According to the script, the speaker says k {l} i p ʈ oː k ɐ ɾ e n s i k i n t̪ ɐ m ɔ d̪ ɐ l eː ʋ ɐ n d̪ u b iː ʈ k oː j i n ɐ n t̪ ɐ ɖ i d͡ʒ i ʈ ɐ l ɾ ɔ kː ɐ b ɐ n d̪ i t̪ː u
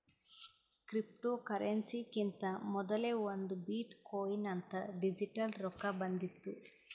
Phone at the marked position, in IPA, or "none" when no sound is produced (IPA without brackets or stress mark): ɾ